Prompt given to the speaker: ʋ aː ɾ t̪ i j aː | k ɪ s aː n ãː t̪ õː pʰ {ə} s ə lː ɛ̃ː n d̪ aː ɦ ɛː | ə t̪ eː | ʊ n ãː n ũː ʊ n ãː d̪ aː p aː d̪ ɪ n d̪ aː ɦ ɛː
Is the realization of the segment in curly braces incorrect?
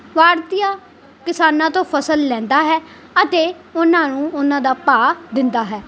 no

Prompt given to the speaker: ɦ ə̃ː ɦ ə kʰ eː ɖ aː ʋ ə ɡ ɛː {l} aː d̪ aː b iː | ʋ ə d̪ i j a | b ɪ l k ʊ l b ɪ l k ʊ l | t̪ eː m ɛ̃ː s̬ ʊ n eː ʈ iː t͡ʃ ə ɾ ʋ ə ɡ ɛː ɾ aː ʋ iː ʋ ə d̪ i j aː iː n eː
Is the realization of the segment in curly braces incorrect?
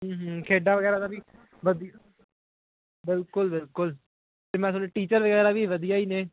yes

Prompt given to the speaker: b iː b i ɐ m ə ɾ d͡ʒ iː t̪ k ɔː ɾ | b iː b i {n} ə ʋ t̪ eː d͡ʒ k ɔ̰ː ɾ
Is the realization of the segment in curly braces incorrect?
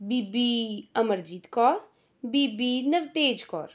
no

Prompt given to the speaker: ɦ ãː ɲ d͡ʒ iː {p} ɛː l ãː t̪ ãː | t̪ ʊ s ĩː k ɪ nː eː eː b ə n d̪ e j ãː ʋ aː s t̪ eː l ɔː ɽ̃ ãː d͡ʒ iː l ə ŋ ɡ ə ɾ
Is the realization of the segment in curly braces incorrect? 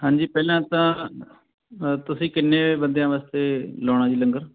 no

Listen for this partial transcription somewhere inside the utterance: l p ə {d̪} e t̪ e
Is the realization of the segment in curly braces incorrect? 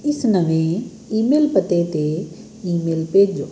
yes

